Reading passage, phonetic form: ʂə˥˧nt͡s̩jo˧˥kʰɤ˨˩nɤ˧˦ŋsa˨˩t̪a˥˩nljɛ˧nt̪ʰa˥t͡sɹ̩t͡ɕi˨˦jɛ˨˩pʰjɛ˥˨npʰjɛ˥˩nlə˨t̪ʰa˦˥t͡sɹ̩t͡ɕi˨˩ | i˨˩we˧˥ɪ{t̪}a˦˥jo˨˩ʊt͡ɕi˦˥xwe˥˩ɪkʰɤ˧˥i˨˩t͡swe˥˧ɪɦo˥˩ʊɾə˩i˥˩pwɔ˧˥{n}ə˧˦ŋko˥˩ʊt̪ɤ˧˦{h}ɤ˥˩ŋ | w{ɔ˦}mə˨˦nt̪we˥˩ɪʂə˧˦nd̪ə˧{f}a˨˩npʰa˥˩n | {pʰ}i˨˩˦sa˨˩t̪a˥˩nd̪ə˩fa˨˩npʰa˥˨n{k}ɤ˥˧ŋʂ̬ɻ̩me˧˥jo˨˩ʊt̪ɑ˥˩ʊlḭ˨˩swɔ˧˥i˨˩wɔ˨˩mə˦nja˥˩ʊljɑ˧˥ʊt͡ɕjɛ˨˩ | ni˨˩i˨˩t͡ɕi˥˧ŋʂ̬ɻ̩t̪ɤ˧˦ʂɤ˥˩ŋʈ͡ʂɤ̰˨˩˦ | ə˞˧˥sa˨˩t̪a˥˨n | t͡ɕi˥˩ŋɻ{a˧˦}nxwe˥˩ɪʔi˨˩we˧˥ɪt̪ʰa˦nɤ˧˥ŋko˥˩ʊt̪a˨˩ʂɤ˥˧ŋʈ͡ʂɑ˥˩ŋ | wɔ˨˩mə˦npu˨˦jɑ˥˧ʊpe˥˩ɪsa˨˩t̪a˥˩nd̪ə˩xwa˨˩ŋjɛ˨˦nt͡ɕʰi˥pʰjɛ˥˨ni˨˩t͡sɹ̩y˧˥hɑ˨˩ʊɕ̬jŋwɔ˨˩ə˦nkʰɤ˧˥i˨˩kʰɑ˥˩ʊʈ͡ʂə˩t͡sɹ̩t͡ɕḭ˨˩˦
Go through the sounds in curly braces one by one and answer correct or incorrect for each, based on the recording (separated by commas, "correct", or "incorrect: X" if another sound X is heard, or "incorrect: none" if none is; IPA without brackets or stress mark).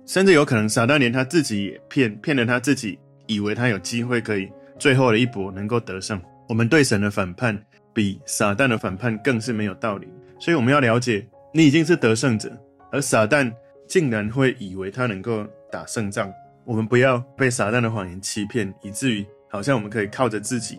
incorrect: t̪ʰ, correct, incorrect: ʂ, incorrect: ɔ˨˩, correct, incorrect: p, correct, correct